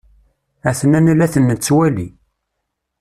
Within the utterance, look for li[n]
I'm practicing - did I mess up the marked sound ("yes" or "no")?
yes